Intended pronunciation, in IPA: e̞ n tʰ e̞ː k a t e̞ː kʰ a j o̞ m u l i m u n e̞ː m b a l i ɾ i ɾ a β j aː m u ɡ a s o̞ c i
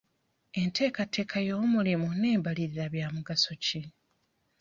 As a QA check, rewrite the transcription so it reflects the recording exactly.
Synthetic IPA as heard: e̞ n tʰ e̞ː k a t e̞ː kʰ a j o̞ m u l i m u n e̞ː m b a l i ɾ i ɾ a β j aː m u ɡ a s o̞ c i